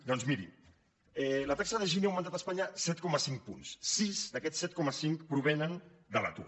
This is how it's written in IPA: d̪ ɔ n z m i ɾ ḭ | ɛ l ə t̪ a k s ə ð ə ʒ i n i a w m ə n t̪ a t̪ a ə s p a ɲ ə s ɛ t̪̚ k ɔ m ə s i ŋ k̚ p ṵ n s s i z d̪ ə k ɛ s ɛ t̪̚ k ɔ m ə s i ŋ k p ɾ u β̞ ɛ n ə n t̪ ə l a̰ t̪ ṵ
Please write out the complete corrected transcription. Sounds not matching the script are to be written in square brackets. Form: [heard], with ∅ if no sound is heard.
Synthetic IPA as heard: d̪ ɔ n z m i ɾ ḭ | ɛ l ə t̪ a k s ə ð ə ʒ i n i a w m ə n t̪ a t̪ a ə s p a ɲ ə s ɛ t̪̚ k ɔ m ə s i ŋ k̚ p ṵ n s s i z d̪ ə k ɛ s ɛ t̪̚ k ɔ m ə s i ŋ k p ɾ u β̞ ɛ n ə n [d̪] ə l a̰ t̪ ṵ